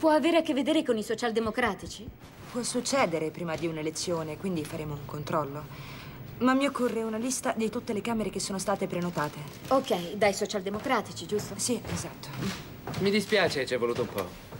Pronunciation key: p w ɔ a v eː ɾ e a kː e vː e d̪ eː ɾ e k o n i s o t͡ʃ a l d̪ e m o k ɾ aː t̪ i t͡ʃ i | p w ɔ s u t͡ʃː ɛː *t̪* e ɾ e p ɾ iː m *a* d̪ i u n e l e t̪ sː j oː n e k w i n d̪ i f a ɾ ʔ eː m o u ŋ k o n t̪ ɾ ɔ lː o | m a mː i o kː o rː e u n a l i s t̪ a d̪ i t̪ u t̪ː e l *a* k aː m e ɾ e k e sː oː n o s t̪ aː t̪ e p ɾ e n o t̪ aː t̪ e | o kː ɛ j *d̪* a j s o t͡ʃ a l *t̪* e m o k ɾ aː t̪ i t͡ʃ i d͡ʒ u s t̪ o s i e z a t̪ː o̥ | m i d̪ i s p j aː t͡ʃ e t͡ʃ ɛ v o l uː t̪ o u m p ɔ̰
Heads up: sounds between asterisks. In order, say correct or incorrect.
incorrect, correct, incorrect, correct, incorrect

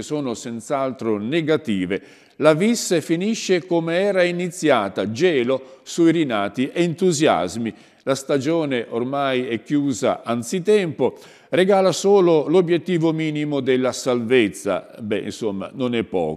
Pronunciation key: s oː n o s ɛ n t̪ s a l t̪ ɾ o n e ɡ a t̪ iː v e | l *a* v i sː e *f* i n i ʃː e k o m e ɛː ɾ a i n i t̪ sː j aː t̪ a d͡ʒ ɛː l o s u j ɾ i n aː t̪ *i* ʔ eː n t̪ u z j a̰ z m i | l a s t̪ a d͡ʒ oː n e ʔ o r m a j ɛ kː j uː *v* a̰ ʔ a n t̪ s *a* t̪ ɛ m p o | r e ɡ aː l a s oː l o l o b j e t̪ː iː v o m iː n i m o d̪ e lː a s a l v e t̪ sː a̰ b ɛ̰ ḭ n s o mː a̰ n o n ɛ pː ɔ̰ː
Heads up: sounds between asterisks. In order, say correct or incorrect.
correct, correct, correct, incorrect, incorrect

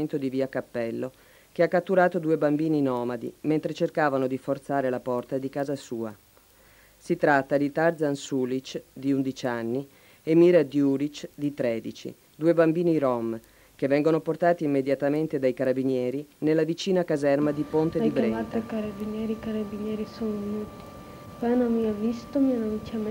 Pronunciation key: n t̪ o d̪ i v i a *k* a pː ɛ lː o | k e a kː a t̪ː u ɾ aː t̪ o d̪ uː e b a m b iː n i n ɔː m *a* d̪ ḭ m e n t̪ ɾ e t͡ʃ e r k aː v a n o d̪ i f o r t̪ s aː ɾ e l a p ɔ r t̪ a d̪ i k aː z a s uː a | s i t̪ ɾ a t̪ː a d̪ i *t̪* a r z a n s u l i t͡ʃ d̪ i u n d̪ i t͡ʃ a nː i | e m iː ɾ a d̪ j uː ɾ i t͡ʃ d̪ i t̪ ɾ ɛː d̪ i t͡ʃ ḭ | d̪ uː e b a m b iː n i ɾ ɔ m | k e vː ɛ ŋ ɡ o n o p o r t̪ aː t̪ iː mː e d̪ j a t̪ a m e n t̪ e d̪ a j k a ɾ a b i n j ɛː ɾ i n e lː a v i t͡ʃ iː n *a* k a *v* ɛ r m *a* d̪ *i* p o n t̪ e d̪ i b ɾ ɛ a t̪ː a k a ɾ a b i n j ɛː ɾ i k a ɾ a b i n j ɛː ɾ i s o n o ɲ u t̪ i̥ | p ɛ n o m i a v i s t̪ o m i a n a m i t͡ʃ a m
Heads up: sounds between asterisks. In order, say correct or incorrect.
correct, correct, correct, correct, incorrect, correct, correct

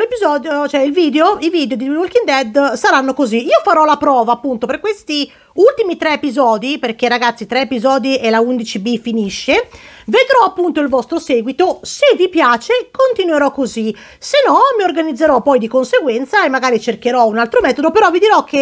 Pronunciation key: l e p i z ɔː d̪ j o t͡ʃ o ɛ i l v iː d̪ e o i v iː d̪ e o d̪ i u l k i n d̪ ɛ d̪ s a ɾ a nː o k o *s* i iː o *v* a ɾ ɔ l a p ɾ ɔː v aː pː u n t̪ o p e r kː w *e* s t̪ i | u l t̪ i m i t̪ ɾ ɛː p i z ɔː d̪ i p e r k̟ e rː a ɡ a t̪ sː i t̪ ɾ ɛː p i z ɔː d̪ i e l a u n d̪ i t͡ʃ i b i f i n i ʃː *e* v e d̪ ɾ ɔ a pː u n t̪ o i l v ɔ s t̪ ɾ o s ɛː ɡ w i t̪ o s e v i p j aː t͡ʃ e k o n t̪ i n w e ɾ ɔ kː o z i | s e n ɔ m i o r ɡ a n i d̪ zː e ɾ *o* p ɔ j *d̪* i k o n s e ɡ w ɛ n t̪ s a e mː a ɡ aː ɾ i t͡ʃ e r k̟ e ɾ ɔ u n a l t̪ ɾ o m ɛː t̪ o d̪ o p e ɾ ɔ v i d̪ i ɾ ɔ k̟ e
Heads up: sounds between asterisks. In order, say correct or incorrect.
incorrect, incorrect, correct, correct, incorrect, correct

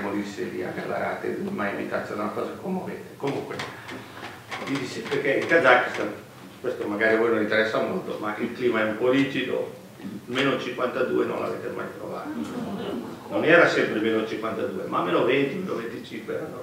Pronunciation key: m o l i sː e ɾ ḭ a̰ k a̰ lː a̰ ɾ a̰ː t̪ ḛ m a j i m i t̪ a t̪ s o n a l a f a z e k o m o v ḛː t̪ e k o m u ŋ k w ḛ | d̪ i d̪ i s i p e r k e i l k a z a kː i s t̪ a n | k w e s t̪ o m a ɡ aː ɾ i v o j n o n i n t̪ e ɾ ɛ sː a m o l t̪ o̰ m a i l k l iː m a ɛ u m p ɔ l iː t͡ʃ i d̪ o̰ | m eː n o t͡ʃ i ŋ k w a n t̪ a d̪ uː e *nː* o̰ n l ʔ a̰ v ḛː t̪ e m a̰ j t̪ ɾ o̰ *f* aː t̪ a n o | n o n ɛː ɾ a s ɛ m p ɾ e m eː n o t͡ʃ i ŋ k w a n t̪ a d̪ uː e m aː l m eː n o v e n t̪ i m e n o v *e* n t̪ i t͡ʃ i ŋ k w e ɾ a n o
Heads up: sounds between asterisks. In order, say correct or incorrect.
incorrect, incorrect, correct

